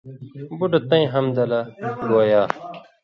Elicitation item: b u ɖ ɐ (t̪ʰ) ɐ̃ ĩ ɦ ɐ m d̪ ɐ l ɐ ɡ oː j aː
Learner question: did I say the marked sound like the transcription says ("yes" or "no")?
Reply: no